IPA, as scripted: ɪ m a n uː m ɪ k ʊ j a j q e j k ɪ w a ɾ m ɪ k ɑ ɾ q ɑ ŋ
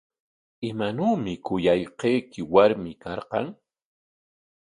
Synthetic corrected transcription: ɪ m a n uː m ɪ k ʊ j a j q e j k ɪ w a ɾ m ɪ k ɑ ɾ q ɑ ŋ